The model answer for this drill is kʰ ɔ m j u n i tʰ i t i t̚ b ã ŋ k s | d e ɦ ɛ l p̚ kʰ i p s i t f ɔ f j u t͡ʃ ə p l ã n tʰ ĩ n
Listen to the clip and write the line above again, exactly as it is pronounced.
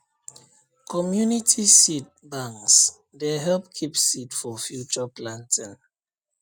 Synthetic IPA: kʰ ɔ m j u n i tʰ i s i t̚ b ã ŋ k s | d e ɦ ɛ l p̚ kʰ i p s i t f ɔ f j u t͡ʃ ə p l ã n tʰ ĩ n